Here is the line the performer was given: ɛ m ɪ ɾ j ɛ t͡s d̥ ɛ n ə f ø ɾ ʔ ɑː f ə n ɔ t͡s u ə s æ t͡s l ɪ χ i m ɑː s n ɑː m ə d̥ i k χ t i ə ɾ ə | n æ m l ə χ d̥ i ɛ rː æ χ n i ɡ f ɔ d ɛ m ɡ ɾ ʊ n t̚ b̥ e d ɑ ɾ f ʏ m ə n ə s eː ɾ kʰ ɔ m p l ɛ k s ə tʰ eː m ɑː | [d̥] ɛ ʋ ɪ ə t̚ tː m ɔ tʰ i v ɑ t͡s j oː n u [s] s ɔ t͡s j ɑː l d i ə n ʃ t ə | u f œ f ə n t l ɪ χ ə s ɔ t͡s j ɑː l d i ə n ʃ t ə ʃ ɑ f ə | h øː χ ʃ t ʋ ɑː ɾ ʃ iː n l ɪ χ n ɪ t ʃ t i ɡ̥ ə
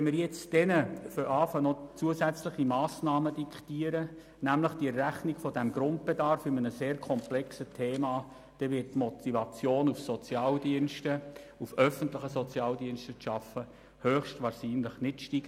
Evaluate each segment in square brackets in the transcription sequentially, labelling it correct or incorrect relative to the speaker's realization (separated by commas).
correct, incorrect